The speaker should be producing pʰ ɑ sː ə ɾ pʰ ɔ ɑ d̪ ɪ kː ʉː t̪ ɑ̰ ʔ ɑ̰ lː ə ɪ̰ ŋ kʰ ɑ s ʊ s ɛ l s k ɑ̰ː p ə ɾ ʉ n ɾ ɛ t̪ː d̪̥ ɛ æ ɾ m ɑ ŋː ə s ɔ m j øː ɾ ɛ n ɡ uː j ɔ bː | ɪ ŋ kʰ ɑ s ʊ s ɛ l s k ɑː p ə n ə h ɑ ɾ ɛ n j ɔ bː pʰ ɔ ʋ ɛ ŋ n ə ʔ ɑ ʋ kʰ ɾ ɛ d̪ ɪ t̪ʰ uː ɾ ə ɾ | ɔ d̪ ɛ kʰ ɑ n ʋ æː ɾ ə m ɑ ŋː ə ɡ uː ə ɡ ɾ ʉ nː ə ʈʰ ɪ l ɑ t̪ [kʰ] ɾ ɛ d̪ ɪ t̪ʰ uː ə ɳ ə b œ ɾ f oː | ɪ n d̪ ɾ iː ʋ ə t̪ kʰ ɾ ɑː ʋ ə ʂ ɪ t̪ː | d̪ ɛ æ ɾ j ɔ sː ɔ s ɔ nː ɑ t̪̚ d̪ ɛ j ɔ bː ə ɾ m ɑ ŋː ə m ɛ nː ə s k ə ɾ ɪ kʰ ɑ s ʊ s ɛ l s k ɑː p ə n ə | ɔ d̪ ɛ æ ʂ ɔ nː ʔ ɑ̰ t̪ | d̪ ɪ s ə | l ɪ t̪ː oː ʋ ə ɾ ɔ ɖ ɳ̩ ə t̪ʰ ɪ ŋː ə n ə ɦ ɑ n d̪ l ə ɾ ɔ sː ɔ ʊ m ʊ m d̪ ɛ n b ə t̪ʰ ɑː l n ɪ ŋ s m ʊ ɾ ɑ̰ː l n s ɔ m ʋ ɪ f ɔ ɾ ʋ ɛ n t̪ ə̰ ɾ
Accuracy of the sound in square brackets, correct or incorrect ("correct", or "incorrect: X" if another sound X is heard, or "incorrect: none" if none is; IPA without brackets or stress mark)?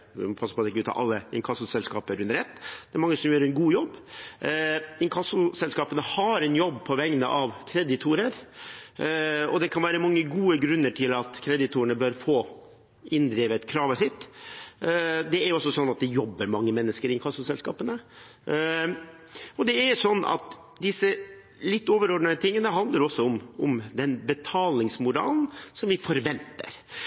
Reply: correct